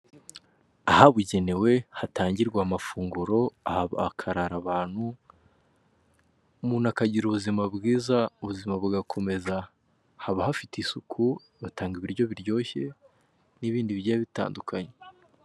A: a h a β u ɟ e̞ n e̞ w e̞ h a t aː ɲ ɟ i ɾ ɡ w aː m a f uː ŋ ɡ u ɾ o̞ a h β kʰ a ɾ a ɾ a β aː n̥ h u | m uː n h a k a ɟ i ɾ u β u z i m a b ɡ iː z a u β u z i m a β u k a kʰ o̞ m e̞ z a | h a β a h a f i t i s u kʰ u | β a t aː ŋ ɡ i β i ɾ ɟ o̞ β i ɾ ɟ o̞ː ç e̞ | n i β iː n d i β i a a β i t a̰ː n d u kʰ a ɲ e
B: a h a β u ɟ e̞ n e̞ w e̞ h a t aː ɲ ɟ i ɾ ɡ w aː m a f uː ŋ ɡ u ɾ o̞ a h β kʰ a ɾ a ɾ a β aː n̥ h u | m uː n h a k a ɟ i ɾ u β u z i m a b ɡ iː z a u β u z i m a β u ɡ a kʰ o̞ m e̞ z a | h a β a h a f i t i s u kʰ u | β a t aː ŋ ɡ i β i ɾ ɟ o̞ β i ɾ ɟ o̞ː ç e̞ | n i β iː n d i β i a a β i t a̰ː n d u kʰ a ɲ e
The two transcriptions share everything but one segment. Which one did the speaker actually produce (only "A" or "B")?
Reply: B